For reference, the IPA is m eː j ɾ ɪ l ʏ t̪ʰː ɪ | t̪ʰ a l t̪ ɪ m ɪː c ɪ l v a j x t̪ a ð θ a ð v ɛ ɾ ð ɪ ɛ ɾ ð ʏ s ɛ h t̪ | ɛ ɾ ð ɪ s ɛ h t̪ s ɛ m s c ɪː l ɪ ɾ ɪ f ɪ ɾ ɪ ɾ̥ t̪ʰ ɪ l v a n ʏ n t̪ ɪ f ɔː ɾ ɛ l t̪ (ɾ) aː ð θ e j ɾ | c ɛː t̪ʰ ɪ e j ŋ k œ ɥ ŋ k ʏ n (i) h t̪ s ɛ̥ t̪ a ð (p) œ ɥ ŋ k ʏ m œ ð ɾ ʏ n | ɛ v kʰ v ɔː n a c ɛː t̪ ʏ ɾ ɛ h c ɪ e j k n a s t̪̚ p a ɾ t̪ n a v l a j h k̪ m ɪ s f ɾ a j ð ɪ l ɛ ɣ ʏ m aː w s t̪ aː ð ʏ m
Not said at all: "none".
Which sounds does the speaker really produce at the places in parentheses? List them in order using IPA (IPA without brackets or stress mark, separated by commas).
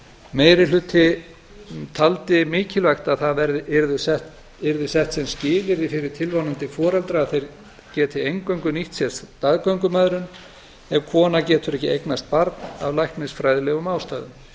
ɾ, i, k